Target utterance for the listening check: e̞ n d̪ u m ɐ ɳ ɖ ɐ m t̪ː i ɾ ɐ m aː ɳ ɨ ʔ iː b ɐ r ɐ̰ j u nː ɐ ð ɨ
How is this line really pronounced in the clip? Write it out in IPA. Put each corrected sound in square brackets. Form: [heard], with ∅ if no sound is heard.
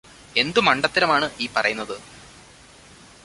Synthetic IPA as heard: e̞ n d̪ u m ɐ ɳ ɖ ɐ [∅] t̪ː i ɾ ɐ m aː ɳ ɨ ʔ iː [p] ɐ r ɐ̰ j u nː ɐ ð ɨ

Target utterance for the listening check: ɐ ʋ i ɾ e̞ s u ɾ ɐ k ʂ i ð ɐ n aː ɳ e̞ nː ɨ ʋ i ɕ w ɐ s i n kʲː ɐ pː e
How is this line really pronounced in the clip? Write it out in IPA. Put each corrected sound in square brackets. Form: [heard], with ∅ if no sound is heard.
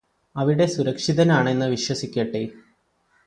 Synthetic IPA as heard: ɐ ʋ i [ɽ] e̞ s u ɾ ɐ k ʂ i ð ɐ n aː ɳ e̞ nː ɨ ʋ i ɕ w ɐ s i [∅] kʲː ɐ [ʈː] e

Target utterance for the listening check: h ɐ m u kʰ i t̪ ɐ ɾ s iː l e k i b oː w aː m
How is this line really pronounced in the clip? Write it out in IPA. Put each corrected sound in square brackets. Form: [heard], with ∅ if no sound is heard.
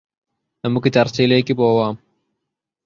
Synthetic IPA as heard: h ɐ m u [k] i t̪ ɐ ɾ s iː l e k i b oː w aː m

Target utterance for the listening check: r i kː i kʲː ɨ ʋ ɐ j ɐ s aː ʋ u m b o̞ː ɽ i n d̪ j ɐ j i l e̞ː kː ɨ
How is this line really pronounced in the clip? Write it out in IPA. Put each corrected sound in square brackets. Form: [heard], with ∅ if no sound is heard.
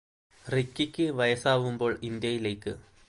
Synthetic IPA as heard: r i kː i kʲː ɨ ʋ ɐ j ɐ s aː ʋ u m b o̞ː [ɭ] i n d̪ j ɐ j i l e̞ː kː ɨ

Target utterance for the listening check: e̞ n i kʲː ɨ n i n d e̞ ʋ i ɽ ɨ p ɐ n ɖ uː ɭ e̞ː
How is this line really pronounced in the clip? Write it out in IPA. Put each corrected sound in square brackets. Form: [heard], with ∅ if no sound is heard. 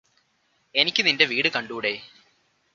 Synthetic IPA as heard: e̞ n i kʲː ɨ n i n d e̞ ʋ [iː] ɽ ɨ [k] ɐ [ɳ] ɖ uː [ɽ] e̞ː

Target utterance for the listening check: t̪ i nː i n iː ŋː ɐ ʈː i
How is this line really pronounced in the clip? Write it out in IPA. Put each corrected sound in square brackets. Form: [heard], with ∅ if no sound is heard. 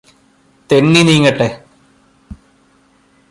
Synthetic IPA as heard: t̪ [e] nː i n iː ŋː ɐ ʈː [e]

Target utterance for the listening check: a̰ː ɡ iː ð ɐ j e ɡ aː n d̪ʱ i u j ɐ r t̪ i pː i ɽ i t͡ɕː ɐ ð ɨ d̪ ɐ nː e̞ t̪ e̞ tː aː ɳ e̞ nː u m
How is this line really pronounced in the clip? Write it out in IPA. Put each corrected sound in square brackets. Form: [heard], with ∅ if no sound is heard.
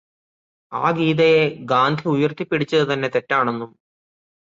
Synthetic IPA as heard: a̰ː ɡ iː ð ɐ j e ɡ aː n d̪ʱ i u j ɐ r t̪ i pː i ɽ i t͡ɕː ɐ ð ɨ [t̪] ɐ nː e̞ t̪ e̞ tː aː ɳ e̞ nː u m

